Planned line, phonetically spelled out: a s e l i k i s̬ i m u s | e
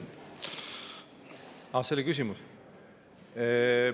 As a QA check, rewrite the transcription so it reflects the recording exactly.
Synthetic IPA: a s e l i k y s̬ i m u s | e